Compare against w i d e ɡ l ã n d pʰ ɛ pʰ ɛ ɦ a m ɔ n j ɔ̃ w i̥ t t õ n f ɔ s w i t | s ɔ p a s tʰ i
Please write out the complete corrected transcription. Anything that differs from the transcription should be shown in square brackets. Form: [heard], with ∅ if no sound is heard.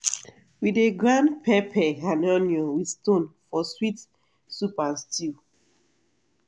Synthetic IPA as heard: w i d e ɡ [ɹ] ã n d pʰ ɛ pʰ ɛ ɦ a [n] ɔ n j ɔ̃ w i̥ [s] t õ n f ɔ s w i t | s [u] p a s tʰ i